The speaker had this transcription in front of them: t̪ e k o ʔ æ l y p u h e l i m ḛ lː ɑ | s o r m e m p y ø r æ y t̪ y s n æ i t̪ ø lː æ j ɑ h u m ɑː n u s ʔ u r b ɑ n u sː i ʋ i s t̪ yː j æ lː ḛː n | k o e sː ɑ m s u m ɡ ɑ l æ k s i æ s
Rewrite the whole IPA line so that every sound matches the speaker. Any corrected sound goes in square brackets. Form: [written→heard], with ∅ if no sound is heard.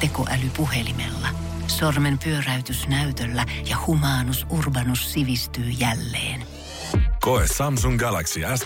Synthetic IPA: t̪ e k o ʔ æ l y p u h e l i m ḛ lː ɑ | s o r m e m p y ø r æ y t̪ y s n æ [i→y] t̪ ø lː æ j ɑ h u m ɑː n u s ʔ u r b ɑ n u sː i ʋ i s t̪ yː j æ lː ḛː n | k o e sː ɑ m s u [m→ŋ] ɡ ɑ l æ k s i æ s